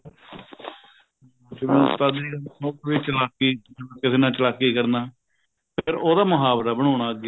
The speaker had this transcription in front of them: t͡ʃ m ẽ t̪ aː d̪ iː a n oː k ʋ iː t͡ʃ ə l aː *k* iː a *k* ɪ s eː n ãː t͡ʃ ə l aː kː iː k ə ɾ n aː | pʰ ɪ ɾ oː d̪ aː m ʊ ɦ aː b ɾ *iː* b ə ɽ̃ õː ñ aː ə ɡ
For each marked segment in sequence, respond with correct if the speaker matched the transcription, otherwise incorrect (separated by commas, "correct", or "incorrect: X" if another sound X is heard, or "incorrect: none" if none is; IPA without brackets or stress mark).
correct, correct, incorrect: aː